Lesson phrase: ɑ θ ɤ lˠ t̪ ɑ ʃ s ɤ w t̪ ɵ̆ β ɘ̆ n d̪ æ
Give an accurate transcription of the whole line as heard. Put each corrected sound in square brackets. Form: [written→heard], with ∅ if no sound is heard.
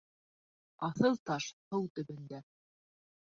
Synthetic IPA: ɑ θ ɤ lˠ t̪ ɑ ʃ [s→h] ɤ w t̪ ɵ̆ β ɘ̆ n d̪ æ